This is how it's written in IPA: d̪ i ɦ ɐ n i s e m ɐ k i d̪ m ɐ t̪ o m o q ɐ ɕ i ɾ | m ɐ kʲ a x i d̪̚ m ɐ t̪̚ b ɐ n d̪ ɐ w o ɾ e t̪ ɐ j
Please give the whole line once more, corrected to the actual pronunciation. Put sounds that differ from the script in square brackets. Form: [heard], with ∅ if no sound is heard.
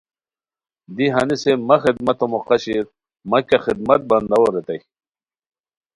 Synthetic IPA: d̪ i ɦ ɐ n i s e m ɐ [x] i d̪ m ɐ t̪ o m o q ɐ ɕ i ɾ | m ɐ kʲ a x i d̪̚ m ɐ t̪̚ b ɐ n d̪ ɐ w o ɾ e t̪ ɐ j